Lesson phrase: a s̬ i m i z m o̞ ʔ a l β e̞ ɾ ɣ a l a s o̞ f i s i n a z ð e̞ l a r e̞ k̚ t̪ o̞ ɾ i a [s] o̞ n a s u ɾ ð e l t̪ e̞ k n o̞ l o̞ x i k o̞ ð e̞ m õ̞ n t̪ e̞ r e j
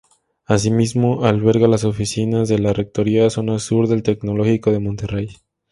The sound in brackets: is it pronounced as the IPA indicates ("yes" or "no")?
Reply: yes